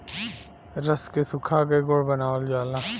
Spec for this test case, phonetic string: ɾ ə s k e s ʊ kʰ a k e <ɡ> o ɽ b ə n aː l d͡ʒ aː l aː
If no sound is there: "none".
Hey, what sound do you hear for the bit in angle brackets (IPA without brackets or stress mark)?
ɡ